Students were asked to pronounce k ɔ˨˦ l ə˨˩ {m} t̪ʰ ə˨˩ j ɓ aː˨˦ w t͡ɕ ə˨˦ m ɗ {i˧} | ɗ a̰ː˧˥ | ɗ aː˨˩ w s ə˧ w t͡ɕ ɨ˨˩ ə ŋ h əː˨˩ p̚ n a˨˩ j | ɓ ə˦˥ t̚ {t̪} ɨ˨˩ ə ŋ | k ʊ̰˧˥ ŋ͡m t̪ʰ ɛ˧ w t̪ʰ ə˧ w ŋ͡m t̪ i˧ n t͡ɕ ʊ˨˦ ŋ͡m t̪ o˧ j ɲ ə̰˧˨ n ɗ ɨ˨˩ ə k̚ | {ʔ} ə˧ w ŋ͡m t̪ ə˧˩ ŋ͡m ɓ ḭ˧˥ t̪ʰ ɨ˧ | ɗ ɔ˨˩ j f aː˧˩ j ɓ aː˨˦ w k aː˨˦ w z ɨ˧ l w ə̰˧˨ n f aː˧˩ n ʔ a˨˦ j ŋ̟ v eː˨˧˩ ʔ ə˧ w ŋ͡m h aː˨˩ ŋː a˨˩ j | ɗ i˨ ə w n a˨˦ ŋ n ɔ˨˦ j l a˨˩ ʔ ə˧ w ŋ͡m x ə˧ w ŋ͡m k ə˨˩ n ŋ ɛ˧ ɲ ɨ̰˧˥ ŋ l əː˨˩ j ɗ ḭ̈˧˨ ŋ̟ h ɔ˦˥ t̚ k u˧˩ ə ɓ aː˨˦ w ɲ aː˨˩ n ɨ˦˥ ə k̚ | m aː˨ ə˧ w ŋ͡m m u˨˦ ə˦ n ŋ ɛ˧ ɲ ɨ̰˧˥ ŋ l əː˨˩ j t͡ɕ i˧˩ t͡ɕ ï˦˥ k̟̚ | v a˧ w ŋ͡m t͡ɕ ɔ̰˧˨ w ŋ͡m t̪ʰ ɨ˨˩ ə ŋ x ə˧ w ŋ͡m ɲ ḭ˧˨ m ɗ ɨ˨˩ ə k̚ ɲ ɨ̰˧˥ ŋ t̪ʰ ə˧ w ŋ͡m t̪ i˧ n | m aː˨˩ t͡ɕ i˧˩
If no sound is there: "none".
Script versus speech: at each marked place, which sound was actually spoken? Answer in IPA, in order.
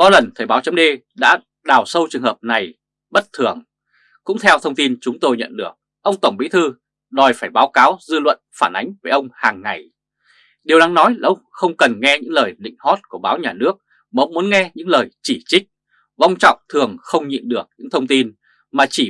n, e˧, t̪ʰ, ʔ

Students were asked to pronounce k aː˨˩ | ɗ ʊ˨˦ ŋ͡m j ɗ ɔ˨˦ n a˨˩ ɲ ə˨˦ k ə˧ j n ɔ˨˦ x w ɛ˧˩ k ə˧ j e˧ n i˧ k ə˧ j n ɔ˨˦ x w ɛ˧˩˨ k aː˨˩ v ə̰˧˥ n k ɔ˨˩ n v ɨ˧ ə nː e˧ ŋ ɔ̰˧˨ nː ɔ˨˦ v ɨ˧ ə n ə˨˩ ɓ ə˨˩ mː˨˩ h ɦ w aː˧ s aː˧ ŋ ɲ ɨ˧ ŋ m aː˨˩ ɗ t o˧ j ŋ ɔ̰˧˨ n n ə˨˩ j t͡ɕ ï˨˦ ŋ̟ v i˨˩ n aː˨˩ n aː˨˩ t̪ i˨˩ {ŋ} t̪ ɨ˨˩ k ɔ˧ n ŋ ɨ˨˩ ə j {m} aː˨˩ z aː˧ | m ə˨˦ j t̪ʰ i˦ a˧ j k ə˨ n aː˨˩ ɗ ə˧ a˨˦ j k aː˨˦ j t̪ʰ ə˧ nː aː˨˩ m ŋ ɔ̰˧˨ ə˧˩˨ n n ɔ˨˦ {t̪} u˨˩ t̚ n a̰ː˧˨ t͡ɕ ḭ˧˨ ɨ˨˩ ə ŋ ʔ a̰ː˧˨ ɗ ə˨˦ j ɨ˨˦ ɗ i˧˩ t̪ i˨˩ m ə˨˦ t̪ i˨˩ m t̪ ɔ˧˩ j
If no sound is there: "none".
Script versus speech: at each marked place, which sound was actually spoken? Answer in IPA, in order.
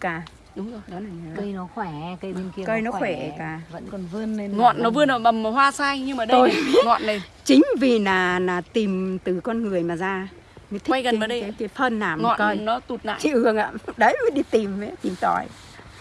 m, m, t̪

